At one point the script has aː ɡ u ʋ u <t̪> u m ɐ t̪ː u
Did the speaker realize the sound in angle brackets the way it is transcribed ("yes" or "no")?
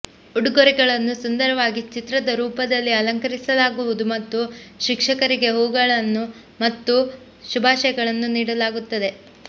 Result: no